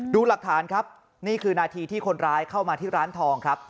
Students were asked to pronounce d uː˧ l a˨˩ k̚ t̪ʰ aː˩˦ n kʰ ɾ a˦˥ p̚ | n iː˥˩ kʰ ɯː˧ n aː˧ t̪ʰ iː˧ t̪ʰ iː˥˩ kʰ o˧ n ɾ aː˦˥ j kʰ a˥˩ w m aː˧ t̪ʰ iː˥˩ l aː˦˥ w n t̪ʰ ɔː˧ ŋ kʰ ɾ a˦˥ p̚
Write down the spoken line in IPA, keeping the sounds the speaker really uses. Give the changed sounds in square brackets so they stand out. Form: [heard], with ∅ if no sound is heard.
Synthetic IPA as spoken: d uː˧ l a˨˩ k̚ t̪ʰ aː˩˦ n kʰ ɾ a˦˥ p̚ | n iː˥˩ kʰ ɯː˧ n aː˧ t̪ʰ iː˧ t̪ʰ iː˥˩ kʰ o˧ n ɾ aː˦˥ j kʰ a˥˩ w m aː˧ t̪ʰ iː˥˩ [ɾ] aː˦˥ [∅] n t̪ʰ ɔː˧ ŋ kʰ ɾ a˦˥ p̚

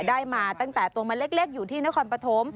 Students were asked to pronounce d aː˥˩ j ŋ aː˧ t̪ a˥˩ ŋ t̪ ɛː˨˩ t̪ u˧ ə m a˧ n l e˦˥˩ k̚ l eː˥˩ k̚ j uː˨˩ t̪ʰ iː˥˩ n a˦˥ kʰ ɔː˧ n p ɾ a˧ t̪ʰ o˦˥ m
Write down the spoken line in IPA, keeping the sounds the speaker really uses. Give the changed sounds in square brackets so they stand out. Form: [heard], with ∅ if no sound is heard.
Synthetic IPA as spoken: d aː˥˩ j [m] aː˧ t̪ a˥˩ ŋ t̪ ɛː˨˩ t̪ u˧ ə m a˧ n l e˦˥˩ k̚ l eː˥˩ k̚ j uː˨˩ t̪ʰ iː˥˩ n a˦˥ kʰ ɔː˧ n p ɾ a˧ t̪ʰ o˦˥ m

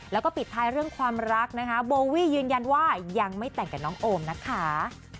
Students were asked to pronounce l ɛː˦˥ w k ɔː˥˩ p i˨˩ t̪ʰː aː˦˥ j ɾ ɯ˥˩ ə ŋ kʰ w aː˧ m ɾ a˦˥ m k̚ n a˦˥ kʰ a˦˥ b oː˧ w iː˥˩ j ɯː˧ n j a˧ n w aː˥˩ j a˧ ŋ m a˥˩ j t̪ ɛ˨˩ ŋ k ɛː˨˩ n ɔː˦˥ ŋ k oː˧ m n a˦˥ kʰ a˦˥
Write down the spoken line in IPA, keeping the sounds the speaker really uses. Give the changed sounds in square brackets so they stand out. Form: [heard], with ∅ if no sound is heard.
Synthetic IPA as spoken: l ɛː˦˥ w k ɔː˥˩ p i˨˩ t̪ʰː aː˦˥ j ɾ ɯ˥˩ ə ŋ kʰ w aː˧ m ɾ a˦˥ [∅] k̚ n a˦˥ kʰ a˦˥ b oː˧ w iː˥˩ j ɯː˧ n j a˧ n w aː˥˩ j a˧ ŋ m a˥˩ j t̪ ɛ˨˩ ŋ k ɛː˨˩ n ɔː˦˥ ŋ [ʔ] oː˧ m n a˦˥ kʰ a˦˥

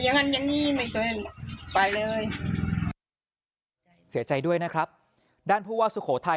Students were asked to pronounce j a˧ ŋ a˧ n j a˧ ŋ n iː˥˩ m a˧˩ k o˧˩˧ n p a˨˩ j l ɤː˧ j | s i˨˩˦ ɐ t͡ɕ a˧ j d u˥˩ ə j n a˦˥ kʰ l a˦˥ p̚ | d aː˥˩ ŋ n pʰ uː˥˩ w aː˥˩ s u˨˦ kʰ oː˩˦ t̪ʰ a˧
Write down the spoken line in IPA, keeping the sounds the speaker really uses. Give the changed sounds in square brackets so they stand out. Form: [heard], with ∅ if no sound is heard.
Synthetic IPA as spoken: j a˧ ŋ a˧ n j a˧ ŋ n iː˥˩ m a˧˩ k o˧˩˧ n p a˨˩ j l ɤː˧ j | s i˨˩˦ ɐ t͡ɕ a˧ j d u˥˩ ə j n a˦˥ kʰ [ɾ] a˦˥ p̚ | d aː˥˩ [∅] n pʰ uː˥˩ w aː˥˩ s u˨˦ kʰ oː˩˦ t̪ʰ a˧

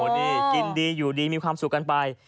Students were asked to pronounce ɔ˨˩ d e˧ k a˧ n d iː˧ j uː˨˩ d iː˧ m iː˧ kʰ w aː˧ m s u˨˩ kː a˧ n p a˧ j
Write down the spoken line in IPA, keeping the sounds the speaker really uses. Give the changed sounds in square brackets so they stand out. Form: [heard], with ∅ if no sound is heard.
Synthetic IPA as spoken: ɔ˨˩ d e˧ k [i˧] n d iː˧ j uː˨˩ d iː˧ m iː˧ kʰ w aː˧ m s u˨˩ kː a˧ n p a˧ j

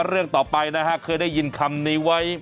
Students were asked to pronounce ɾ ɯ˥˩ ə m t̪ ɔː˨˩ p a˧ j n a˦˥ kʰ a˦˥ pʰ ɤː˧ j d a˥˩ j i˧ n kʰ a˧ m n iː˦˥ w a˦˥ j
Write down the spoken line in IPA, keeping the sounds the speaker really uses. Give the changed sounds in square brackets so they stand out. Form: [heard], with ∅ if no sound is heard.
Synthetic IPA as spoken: ɾ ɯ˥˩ ə [ŋ] t̪ ɔː˨˩ p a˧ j n a˦˥ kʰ a˦˥ [kʰ] ɤː˧ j d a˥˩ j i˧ n kʰ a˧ m n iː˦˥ w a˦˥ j

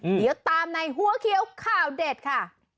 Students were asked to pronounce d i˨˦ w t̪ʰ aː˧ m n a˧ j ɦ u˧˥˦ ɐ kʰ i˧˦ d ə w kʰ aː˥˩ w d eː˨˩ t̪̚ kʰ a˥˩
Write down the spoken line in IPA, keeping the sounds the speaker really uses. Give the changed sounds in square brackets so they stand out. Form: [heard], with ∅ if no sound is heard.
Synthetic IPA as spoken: d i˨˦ w [t̪] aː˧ m n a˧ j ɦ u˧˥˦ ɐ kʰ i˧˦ [∅] ə w kʰ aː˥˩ w d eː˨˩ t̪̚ kʰ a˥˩

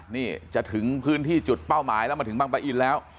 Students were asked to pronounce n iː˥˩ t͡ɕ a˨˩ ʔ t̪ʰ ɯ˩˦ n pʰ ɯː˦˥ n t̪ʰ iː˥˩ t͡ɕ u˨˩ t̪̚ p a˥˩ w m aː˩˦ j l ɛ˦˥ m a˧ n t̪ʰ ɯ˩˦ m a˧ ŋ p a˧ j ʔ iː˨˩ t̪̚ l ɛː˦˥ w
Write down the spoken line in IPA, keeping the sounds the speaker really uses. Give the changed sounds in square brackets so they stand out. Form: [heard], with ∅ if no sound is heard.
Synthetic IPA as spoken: n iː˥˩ t͡ɕ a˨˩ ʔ t̪ʰ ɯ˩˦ [ŋ] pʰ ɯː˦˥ n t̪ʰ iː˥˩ t͡ɕ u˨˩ t̪̚ p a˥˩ w m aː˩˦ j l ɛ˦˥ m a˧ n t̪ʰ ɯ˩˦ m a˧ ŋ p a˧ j ʔ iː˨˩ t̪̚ l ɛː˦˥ w

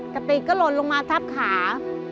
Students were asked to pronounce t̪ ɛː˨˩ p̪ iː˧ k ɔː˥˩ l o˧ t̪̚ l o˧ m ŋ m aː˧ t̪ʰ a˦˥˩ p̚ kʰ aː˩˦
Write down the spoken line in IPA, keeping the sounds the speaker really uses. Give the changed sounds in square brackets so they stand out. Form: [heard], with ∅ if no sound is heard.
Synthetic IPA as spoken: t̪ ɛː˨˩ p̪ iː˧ k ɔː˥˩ l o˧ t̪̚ l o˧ [∅] ŋ m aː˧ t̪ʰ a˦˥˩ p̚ kʰ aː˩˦

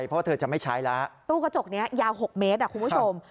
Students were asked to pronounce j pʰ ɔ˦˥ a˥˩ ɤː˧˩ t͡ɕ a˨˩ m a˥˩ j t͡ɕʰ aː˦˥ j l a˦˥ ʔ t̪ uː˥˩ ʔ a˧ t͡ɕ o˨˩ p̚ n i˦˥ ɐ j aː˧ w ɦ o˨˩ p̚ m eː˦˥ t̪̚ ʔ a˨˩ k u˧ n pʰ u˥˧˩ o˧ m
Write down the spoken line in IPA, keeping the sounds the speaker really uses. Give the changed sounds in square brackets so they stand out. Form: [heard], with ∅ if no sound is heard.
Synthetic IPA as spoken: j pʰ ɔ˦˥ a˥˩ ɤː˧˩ t͡ɕ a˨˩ m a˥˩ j t͡ɕʰ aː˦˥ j l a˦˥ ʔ t̪ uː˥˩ [k] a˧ t͡ɕ o˨˩ [k̚] n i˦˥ ɐ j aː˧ w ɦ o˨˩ [k̚] m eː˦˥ t̪̚ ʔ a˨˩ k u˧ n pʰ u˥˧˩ o˧ m

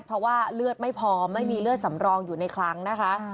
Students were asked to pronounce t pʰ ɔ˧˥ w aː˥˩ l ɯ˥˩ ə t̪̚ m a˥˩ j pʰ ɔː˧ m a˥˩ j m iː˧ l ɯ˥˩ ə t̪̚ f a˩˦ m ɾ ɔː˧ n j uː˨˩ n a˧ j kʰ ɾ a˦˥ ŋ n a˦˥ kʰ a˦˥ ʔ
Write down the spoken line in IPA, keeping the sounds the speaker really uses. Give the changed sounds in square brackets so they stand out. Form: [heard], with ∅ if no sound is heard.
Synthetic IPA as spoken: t pʰ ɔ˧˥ w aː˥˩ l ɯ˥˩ ə t̪̚ m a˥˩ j pʰ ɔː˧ m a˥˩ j m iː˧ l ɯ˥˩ ə t̪̚ [s] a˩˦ m ɾ ɔː˧ [ŋ] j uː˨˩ n a˧ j kʰ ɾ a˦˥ ŋ n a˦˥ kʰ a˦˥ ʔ

